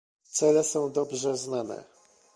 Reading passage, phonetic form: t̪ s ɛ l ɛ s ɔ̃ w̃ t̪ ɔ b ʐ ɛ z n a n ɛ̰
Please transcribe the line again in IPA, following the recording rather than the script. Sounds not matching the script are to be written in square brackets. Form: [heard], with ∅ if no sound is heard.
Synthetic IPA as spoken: t̪ s ɛ l ɛ s ɔ̃ w̃ [d̪] ɔ b ʐ ɛ z n a n ɛ̰

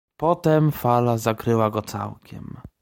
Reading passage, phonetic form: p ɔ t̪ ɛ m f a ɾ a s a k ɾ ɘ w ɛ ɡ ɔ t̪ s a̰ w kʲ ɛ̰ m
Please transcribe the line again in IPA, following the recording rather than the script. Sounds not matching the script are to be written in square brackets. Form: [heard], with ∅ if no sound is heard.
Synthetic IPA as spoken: p ɔ t̪ ɛ m f a [l] a [z] a k ɾ ɘ w [a] ɡ ɔ t̪ s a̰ w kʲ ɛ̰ m

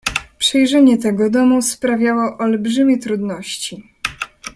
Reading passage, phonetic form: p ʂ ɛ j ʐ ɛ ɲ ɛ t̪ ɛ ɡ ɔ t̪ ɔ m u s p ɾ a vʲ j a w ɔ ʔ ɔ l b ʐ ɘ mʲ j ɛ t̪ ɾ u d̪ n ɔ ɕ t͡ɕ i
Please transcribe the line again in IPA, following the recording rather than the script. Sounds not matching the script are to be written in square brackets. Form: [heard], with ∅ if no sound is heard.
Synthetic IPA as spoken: p ʂ ɛ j ʐ ɛ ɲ ɛ t̪ ɛ ɡ ɔ [d̪] ɔ m u s p ɾ a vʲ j a w ɔ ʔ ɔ l b ʐ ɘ mʲ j ɛ t̪ ɾ u d̪ n ɔ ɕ t͡ɕ i

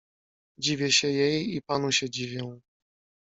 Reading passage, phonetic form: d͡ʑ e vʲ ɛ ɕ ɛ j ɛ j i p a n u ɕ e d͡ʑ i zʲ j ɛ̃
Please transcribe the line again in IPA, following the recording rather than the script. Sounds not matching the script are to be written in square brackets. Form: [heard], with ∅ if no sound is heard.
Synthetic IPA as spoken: d͡ʑ [i] vʲ ɛ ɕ ɛ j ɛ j i p a n u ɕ [ɛ] d͡ʑ i [vʲ] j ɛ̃

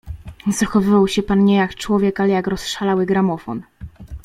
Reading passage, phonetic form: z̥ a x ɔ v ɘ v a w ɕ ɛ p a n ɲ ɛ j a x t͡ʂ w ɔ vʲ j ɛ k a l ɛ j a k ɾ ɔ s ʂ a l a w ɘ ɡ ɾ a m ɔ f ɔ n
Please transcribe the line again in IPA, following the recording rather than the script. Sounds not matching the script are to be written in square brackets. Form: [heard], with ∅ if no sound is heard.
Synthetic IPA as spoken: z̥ a x ɔ v ɘ v a w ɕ ɛ p a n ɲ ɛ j a [k] t͡ʂ w ɔ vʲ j ɛ k a l ɛ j a k ɾ ɔ s ʂ a l a w ɘ ɡ ɾ a m ɔ f ɔ n

